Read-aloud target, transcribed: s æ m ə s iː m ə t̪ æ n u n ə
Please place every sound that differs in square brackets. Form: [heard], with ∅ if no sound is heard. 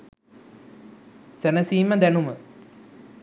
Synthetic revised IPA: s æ [n] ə s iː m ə [d̪] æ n u [m] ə